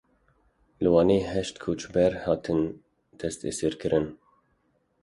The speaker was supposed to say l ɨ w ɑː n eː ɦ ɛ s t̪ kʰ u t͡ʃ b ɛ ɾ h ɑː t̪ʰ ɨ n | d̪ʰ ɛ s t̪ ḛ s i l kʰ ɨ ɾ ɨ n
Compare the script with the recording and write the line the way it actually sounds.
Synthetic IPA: l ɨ w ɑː n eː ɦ ɛ ʃ t̪ kʰ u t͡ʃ b ɛ ɾ h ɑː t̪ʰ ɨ n | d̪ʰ ɛ s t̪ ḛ s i ɾ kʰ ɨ ɾ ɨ n